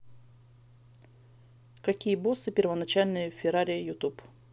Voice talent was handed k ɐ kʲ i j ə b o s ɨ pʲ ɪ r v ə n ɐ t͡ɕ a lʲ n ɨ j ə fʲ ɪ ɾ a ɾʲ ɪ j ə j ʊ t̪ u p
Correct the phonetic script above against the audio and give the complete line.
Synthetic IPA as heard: k ɐ kʲ i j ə b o s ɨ pʲ ɪ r v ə n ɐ t͡ɕ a lʲ n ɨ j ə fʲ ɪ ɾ a ɾʲ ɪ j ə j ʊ t̪ u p